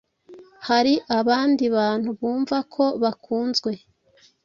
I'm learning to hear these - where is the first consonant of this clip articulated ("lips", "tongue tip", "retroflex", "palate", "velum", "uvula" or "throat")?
throat